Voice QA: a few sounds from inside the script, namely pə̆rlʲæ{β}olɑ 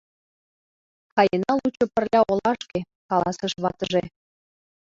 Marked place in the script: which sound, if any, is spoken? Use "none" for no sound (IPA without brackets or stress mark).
none